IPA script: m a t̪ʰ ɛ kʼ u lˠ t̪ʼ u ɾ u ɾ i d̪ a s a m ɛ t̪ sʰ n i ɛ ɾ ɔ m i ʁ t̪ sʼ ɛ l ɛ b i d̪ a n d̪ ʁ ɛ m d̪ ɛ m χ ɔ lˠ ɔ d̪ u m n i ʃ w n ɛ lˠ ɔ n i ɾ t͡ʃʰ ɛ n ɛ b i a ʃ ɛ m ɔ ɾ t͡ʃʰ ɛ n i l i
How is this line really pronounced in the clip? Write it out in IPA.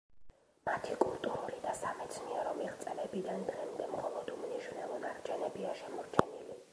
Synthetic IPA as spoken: m a t̪ʰ i kʼ u lˠ t̪ʼ u ɾ u ɾ i d̪ a s a m ɛ t̪ sʰ n i ɛ ɾ ɔ m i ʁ t̪ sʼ ɛ l ɛ b i d̪ a n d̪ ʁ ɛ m d̪ ɛ m χ ɔ lˠ ɔ d̪ u m n i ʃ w n ɛ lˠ ɔ n a ɾ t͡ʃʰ ɛ n ɛ b i a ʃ ɛ m ɔ ɾ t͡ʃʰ ɛ n i l i